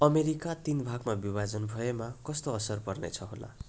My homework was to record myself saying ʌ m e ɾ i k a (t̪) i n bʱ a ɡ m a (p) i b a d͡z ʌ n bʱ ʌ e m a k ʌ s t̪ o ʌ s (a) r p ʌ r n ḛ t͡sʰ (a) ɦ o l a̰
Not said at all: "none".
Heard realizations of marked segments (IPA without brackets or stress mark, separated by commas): t̪, b, ʌ, ʌ